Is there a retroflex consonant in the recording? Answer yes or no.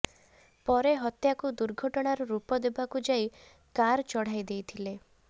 yes